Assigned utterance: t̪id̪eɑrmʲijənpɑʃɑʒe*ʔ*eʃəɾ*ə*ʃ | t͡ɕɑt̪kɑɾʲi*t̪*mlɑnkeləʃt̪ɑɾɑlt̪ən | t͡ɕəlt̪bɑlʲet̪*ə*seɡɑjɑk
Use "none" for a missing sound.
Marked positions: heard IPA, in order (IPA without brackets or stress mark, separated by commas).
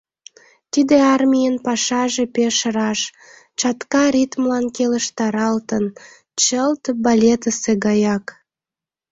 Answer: p, ɑ, t̪, ə